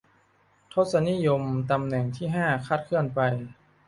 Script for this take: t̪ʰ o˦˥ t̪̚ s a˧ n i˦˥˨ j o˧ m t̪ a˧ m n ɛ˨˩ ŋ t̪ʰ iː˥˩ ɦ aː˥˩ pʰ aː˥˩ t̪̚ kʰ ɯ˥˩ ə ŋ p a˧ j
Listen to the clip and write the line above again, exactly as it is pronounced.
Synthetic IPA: t̪ʰ o˦˥ t̪̚ s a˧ n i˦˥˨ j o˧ m t̪ a˧ m n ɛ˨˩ ŋ t̪ʰ iː˥˩ ɦ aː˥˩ kʰ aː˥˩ t̪̚ kʰ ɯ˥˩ ə n p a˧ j